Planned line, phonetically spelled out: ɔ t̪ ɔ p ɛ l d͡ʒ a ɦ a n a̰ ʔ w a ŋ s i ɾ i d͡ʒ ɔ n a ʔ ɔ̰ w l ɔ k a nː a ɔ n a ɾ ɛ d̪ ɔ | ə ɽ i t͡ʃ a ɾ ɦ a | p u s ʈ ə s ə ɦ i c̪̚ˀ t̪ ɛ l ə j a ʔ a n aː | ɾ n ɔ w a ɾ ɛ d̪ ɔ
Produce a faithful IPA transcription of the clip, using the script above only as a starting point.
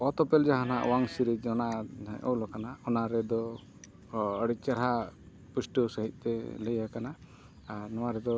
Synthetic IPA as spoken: ɔ t̪ ɔ p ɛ l d͡ʒ a ɦ a n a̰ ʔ w a ŋ s i ɾ i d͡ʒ ɔ n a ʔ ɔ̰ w l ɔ k a n a ɔ n a ɾ ɛ d̪ ɔ | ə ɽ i t͡ʃ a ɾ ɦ a | p u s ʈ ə s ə ɦ i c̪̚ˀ t̪ ɛ l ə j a k a n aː | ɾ n ɔ w a ɾ ɛ d̪ ɔ